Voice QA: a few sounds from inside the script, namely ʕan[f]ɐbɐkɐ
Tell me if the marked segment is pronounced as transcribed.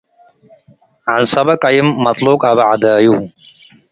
no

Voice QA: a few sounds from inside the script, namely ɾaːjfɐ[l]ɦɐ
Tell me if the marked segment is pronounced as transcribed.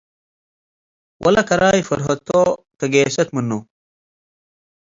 no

